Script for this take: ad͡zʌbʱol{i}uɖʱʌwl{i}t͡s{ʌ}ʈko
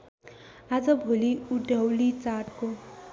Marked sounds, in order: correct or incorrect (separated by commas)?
correct, correct, incorrect